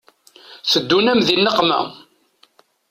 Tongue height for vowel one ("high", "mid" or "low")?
mid